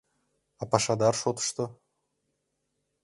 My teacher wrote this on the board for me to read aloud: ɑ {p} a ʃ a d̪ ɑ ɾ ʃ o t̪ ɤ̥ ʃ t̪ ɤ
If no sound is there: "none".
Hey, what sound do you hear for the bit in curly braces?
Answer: p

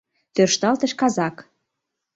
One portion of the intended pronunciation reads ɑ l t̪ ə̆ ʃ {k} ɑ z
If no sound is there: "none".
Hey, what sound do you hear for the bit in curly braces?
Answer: k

